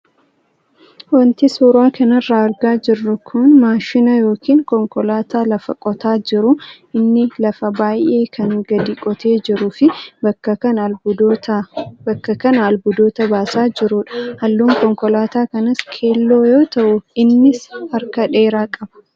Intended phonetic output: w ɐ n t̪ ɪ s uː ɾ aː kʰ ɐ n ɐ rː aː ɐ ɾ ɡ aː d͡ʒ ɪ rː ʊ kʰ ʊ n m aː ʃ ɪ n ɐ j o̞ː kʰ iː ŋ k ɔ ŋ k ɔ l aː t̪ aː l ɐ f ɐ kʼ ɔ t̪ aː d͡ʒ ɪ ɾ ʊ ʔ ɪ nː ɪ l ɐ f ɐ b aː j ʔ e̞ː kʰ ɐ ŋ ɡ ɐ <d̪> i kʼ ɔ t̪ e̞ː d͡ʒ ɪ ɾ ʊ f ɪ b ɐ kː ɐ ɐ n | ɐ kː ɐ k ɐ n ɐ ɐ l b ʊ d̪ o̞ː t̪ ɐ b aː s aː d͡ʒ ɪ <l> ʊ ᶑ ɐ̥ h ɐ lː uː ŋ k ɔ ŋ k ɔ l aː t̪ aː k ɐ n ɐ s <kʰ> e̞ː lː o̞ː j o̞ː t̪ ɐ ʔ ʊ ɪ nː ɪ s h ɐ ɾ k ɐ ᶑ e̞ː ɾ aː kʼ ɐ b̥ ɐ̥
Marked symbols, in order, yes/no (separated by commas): yes, no, yes